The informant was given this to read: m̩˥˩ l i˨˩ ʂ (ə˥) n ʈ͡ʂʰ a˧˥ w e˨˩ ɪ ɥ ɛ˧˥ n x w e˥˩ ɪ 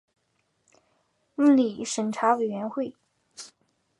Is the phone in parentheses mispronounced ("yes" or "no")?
yes